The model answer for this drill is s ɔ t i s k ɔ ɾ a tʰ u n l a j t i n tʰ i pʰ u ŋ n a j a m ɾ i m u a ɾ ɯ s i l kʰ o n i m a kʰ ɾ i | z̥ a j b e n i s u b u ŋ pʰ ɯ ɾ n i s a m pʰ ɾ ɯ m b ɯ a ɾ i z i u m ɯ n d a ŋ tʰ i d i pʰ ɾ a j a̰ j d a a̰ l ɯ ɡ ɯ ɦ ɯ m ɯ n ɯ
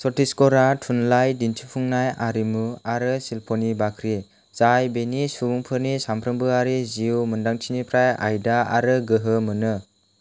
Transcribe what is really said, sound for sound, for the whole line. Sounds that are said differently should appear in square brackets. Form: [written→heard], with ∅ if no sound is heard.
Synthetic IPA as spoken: s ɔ t i s k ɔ ɾ a tʰ u n l a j [t→d] i n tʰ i pʰ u ŋ n a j a [m→∅] ɾ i m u a ɾ ɯ s i l [kʰ→pʰ] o n i [m→b] a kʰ ɾ i | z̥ a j b e n i s u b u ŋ pʰ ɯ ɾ n i s a m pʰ ɾ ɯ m b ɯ a ɾ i z i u m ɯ n d a ŋ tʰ i [d→n] i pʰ ɾ a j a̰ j d a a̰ [l→ɾ] ɯ ɡ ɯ ɦ ɯ m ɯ n ɯ